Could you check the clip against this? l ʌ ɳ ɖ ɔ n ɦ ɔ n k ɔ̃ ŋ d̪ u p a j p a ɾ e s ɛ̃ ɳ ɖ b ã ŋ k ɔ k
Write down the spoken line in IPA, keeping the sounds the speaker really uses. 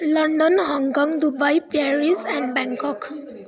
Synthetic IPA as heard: l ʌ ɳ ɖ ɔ n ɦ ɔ ŋ k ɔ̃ ŋ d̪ u b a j p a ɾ i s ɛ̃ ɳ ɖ b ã ŋ k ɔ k